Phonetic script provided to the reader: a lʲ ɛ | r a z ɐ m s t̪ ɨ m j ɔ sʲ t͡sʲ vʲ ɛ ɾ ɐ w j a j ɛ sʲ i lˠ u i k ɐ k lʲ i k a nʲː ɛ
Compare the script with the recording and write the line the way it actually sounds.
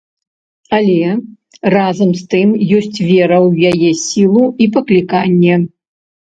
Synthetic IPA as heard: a lʲ ɛ | r a z ɐ m s t̪ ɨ m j ɔ sʲ t͡sʲ vʲ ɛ ɾ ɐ w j a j ɛ sʲ i lˠ u i p ɐ k lʲ i k a nʲː ɛ

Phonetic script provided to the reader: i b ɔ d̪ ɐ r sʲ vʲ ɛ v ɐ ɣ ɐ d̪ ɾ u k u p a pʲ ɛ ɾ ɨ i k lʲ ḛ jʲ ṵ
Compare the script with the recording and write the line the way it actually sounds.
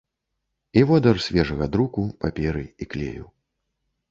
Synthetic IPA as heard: i v ɔ d̪ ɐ r sʲ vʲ ɛ ʐ ɐ ɣ ɐ d̪ ɾ u k u p a pʲ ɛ ɾ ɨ i k lʲ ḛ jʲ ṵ

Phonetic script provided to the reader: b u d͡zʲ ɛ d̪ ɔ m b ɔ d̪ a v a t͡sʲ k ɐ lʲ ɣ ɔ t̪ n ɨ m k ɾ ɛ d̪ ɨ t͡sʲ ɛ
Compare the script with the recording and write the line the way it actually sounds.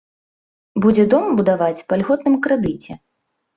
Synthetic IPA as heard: b u d͡zʲ ɛ d̪ ɔ m b u d̪ a v a t͡sʲ p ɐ lʲ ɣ ɔ t̪ n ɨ m k ɾ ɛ d̪ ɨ t͡sʲ ɛ

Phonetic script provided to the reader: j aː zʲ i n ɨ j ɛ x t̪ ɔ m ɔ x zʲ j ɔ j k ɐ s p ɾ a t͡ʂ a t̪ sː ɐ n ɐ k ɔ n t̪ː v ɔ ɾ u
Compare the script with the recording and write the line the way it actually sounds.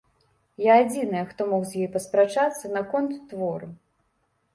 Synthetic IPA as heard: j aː d͡zʲ i n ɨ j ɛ x t̪ ɔ m ɔ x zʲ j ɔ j p ɐ s p ɾ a t͡ʂ a t̪ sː ɐ n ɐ k ɔ n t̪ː v ɔ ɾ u

